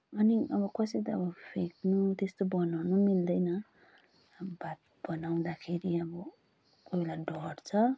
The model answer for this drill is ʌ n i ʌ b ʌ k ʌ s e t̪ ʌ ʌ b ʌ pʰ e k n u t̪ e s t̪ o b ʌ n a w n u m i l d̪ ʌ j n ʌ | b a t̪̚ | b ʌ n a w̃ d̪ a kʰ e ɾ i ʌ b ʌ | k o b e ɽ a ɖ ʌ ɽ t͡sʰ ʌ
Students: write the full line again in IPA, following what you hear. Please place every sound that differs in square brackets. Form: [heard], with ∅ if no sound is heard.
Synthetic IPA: ʌ n i ʌ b ʌ k ʌ s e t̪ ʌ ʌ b ʌ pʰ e k n u t̪ e s t̪ o b ʌ n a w n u m i l d̪ ʌ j n ʌ | b a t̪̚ | b ʌ n a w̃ d̪ a kʰ e ɾ i ʌ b ʌ | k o b e [l] a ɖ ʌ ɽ t͡sʰ ʌ